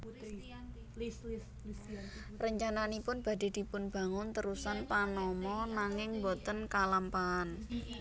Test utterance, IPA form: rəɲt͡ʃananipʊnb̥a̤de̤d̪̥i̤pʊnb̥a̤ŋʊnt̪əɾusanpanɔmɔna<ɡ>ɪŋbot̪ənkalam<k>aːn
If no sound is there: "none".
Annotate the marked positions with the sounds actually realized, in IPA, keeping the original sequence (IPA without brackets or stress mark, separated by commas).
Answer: ŋ, p